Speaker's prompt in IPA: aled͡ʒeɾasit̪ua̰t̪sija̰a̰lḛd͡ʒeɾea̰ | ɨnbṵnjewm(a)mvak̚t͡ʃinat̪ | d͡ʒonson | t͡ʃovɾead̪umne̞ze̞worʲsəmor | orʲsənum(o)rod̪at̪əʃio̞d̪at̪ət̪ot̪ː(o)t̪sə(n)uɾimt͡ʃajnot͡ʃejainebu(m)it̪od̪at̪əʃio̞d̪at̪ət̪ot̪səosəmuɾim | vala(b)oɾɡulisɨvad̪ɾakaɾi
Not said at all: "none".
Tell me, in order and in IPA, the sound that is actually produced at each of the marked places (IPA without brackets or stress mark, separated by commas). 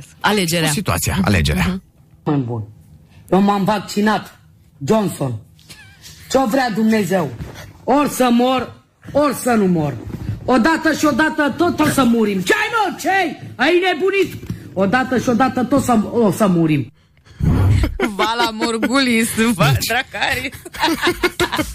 a, o, o, m, n, m